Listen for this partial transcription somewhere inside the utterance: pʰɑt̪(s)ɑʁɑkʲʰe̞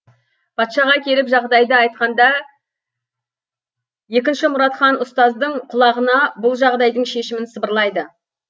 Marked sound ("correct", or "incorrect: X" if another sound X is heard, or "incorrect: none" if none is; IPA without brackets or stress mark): incorrect: ʃ